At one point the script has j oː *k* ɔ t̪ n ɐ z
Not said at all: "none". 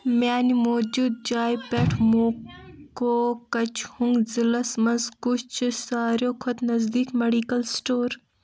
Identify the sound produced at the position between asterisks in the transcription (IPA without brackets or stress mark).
kʰ